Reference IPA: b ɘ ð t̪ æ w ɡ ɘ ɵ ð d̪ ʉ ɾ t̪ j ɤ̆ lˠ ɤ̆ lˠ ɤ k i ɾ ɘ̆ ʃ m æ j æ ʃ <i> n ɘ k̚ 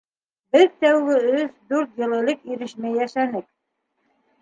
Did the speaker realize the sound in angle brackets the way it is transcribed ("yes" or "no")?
no